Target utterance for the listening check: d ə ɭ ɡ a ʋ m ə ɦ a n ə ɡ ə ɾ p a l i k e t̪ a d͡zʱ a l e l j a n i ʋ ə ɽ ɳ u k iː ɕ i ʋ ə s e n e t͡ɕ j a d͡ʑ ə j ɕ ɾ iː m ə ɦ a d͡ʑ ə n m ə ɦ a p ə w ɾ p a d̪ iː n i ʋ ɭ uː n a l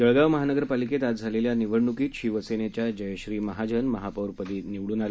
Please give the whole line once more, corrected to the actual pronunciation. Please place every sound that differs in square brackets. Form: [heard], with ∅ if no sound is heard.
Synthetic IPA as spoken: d ə ɭ ɡ a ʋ m ə ɦ a n ə ɡ ə ɾ p a l i k e t̪ a d͡zʱ a l e l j a n i ʋ ə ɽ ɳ u k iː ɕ i ʋ ə s e n e t͡ɕ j a d͡ʑ ə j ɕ ɾ iː m ə ɦ a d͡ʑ ə n m ə ɦ a p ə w ɾ p [ə] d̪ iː n i ʋ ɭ uː n a l